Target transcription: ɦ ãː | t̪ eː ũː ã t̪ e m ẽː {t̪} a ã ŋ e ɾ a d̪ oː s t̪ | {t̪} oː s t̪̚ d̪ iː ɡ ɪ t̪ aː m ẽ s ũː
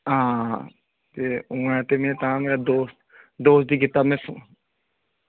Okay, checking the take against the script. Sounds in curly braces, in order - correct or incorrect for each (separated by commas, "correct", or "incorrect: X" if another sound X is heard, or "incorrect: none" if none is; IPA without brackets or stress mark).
correct, incorrect: d̪